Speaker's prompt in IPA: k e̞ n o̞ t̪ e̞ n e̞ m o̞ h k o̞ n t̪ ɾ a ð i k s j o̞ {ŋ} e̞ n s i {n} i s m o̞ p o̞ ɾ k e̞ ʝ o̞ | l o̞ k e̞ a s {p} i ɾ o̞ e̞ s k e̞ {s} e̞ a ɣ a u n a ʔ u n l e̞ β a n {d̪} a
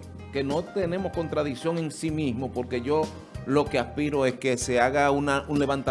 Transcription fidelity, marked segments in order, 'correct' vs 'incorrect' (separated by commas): correct, incorrect, correct, correct, incorrect